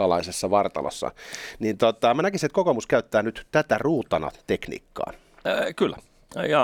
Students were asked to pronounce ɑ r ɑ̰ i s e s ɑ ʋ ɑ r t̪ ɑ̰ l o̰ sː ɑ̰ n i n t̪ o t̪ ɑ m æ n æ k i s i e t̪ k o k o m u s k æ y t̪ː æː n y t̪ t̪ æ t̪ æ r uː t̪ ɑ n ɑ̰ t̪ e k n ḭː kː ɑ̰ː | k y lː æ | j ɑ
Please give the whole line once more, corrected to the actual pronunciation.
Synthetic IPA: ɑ l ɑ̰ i s e sː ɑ ʋ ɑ r t̪ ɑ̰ l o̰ sː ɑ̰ n i n t̪ o t̪ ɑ m æ n æ k i s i e t̪ k o k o m u s k æ y t̪ː æː n y t̪ t̪ æ t̪ æ r uː t̪ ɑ n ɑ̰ t̪ e k n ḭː kː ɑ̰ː | k y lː æ | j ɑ